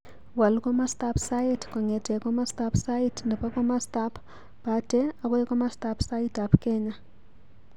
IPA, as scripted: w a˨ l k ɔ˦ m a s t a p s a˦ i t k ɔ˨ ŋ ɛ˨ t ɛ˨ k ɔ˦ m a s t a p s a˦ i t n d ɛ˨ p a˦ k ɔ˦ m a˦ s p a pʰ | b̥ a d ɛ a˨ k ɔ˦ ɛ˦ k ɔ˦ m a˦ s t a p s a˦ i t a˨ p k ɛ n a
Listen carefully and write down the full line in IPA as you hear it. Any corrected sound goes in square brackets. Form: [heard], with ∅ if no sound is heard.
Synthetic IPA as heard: w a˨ l k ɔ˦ m a s t a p s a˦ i t k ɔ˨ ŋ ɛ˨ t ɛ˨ k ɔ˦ m a s t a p s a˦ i t n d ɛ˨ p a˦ k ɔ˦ m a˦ s [t] a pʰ | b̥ a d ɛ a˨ k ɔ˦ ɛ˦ k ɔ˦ m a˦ s t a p s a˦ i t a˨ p k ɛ [ɲ] a